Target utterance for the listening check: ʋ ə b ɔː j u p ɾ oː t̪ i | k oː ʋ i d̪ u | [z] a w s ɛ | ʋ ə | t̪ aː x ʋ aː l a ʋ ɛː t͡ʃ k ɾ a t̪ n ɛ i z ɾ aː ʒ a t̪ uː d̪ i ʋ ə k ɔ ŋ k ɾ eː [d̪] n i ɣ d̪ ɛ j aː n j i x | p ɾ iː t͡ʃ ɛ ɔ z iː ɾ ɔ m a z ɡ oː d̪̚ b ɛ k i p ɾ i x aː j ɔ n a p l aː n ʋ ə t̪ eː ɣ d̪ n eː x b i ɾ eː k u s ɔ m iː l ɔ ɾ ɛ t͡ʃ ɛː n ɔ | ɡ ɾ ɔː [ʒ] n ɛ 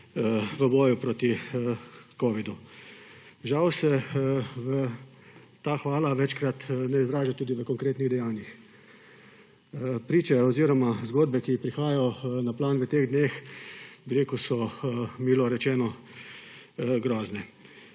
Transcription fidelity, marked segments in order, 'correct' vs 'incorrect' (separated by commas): incorrect, incorrect, incorrect